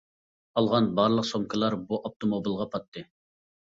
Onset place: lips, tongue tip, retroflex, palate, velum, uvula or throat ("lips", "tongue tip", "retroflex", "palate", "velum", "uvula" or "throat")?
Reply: tongue tip